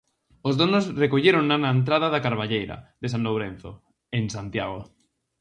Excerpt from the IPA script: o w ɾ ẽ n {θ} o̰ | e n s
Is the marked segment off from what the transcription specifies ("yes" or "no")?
no